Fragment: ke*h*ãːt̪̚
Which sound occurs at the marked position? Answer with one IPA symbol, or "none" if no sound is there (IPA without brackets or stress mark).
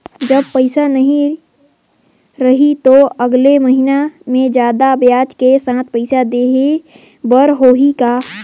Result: s